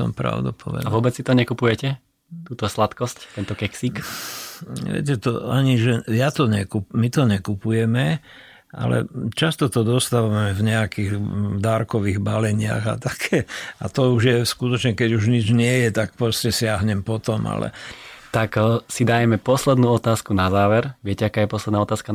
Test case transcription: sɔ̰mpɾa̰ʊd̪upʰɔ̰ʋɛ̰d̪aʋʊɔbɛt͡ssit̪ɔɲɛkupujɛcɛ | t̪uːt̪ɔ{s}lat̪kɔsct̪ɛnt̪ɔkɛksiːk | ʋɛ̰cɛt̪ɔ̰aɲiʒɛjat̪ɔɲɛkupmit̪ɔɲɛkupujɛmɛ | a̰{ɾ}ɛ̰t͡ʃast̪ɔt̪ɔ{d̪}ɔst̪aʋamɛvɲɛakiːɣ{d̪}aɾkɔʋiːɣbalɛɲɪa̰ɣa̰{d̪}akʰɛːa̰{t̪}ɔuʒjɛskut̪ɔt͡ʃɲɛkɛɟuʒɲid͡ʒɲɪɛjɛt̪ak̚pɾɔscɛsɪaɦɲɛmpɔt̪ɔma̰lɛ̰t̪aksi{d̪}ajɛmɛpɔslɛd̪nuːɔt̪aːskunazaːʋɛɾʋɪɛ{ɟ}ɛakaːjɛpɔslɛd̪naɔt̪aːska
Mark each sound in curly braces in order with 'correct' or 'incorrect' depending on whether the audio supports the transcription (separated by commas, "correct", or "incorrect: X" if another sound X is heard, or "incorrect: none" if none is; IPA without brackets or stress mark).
correct, incorrect: l, correct, correct, incorrect: t̪, correct, correct, incorrect: c